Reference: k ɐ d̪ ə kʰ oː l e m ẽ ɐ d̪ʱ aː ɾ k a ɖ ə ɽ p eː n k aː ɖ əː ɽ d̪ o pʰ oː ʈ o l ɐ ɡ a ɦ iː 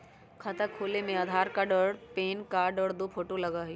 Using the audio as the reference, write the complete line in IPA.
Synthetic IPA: kʰ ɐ t̪ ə kʰ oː l e m ẽ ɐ d̪ʱ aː ɾ k a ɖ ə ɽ p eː n k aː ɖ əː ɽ d̪ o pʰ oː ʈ o l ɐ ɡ a ɦ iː